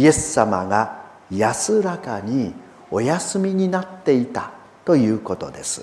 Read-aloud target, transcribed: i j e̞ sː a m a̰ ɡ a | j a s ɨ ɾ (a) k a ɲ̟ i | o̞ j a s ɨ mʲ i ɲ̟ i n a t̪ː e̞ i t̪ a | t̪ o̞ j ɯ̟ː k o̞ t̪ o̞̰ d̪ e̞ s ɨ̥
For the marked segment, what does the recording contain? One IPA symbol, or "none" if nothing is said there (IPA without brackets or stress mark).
a